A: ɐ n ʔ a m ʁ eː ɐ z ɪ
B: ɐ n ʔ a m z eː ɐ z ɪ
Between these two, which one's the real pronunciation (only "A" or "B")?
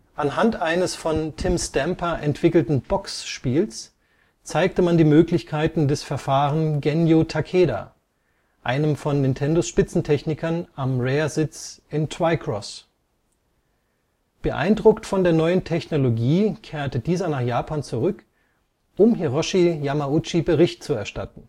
A